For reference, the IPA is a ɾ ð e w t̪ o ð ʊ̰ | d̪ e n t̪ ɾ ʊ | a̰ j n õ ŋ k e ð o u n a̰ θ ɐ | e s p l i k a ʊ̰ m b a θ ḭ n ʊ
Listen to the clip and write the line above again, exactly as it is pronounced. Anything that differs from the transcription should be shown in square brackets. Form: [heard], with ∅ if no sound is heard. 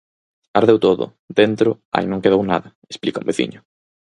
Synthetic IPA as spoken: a ɾ ð e w t̪ o ð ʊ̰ | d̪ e n t̪ ɾ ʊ | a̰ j n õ ŋ k e ð o [w] n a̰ [ð] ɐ | e s p l i k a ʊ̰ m b [e] θ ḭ [ɲ] ʊ